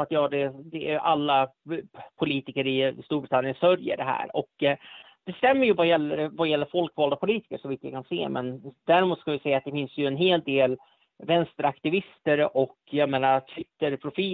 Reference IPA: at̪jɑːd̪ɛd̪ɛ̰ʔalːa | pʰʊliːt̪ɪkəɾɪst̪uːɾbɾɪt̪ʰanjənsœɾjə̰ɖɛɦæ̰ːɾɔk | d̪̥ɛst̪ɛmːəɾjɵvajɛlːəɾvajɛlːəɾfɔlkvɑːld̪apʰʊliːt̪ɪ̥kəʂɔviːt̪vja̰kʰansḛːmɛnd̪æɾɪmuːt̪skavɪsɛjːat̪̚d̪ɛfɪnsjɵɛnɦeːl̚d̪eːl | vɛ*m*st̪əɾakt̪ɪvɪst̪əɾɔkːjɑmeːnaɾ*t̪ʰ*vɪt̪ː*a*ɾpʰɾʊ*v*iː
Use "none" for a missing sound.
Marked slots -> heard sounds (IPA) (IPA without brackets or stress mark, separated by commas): n, t̪ʰ, ə, f